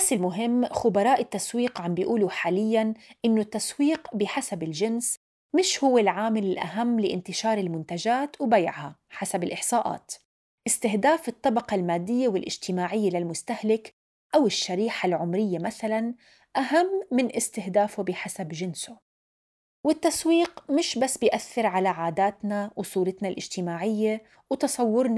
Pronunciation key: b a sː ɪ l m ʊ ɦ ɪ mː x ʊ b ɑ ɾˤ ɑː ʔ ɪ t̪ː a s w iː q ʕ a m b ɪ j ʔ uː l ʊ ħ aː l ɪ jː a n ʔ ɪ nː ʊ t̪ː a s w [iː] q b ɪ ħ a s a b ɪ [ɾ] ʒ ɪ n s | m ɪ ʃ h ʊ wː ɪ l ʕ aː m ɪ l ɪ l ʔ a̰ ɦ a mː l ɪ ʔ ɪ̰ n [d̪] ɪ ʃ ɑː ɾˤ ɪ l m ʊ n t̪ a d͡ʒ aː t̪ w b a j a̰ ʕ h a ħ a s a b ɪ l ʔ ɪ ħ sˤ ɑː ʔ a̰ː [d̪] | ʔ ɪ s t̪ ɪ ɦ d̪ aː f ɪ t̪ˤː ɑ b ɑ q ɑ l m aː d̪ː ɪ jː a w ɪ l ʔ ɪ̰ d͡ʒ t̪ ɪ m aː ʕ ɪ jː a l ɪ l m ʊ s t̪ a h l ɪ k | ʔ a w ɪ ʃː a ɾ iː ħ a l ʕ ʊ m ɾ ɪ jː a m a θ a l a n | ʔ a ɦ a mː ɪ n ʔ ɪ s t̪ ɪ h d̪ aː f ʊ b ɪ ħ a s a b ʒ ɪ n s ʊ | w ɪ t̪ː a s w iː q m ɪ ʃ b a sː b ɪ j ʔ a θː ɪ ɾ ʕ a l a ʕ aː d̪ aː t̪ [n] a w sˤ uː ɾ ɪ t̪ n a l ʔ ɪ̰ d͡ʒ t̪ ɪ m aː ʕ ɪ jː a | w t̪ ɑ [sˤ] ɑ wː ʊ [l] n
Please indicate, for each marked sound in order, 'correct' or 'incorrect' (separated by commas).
correct, incorrect, incorrect, incorrect, correct, correct, incorrect